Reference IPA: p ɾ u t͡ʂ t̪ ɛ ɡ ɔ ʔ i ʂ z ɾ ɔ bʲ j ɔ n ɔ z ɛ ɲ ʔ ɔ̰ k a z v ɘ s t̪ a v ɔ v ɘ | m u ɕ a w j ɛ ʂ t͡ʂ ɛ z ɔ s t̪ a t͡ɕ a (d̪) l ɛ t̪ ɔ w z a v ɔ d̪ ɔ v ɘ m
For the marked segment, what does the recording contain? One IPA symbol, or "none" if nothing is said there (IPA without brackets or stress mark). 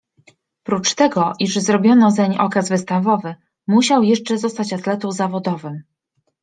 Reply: t̪